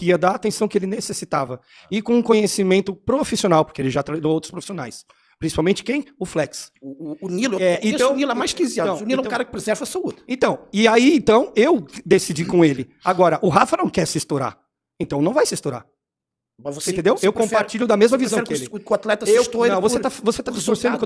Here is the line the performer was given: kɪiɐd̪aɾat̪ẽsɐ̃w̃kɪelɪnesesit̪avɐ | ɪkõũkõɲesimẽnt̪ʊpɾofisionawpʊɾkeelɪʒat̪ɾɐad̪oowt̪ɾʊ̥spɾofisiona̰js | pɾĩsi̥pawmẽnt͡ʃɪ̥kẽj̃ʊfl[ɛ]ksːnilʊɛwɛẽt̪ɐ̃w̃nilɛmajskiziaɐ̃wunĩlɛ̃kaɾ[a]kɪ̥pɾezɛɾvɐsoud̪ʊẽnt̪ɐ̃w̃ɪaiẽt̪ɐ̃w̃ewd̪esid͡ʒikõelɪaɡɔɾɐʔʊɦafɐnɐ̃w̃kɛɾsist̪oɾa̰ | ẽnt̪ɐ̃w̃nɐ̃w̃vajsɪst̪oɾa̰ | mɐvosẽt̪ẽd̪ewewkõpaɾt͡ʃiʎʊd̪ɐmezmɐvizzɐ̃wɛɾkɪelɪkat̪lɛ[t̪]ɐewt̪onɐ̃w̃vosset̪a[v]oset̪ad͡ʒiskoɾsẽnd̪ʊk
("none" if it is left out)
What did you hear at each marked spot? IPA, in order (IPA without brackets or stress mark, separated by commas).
ɛ, ɐ, t̪, v